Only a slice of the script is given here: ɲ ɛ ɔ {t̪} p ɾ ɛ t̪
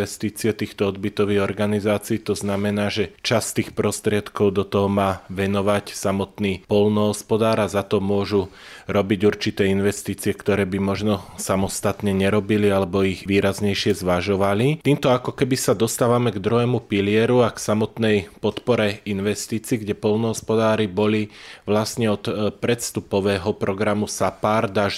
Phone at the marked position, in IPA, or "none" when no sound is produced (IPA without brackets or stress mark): t̪